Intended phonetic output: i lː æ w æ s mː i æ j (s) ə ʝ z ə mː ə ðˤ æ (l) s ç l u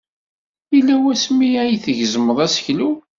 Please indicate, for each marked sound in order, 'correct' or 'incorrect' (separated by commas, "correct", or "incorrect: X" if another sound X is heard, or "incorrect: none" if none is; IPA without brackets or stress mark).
incorrect: θ, incorrect: none